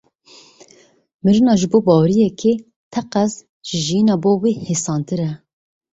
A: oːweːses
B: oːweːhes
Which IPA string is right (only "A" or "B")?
B